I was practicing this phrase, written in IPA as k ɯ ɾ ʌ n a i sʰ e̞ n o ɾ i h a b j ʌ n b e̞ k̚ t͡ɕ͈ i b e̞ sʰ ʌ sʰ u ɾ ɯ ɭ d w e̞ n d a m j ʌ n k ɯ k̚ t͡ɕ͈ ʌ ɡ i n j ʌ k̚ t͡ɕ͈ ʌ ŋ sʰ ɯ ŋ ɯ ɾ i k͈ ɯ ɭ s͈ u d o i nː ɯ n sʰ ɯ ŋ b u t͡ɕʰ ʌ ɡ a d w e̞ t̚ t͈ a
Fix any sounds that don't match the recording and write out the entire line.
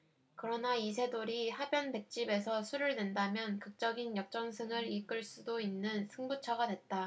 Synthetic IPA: k ɯ ɾ ʌ n a i sʰ e̞ d o ɾ i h a b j ʌ n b e̞ k̚ t͡ɕ͈ i b e̞ sʰ ʌ sʰ u ɾ ɯ ɭ d w e̞ n d a m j ʌ n k ɯ k̚ t͡ɕ͈ ʌ ɡ i n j ʌ k̚ t͡ɕ͈ ʌ ŋ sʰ ɯ ŋ ɯ ɾ i k͈ ɯ ɭ s͈ u d o i nː ɯ n sʰ ɯ ŋ b u t͡ɕʰ ʌ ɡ a d w e̞ t̚ t͈ a